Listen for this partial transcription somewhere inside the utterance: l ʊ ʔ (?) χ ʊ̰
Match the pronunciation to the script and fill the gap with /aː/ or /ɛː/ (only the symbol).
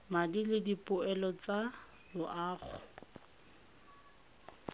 aː